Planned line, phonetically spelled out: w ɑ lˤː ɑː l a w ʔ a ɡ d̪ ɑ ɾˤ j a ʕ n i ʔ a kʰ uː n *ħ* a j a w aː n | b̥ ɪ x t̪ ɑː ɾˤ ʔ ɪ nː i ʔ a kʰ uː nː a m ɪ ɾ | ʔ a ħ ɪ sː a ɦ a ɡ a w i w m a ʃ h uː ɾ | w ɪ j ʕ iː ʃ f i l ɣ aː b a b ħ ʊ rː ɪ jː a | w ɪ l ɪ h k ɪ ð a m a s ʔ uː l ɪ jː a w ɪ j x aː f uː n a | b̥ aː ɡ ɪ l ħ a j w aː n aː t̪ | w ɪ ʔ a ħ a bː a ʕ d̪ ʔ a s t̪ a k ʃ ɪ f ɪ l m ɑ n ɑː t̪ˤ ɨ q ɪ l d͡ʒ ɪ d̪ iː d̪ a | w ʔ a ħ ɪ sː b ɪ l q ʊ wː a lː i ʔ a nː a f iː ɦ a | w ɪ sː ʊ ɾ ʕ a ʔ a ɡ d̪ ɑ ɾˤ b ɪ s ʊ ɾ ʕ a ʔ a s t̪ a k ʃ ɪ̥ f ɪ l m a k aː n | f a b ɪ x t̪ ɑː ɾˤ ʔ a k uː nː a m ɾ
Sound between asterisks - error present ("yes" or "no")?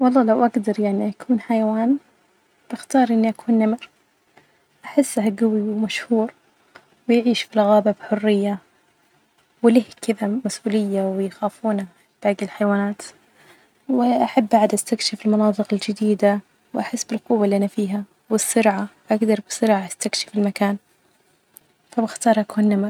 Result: no